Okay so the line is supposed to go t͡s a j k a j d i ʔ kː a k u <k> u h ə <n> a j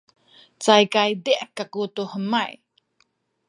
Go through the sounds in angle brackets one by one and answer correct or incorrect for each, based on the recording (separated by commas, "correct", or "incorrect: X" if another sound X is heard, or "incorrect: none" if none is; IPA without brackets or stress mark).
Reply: incorrect: t, incorrect: m